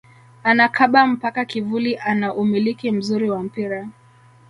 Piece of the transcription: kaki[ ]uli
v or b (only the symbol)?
v